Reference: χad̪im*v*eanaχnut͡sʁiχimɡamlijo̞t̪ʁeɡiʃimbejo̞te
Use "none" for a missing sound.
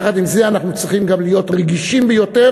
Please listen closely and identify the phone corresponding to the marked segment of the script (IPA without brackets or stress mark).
z